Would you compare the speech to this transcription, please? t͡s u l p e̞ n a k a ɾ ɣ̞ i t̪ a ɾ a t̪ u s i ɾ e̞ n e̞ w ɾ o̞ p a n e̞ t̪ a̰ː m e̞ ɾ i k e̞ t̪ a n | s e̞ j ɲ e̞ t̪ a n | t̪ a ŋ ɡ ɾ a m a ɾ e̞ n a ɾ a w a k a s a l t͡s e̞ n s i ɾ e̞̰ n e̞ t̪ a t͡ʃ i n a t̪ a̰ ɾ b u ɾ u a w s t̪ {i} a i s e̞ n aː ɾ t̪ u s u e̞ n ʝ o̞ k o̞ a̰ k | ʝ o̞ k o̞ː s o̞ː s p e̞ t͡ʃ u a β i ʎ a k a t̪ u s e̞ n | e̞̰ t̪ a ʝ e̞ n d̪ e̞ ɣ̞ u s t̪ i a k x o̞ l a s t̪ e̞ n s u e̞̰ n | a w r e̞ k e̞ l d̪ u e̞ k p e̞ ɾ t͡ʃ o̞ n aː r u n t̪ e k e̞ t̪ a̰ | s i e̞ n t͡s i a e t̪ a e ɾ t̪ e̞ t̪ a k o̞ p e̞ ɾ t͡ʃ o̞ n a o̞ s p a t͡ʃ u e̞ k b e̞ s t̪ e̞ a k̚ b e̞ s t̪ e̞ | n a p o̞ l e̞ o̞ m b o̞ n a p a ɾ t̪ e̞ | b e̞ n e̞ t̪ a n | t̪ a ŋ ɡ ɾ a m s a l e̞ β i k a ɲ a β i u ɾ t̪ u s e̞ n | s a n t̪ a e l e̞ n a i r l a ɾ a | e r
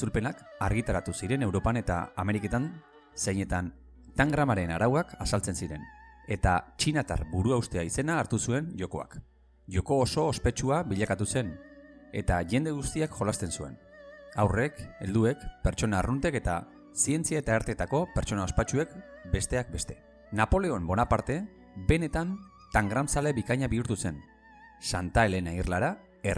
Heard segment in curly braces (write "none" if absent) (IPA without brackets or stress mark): e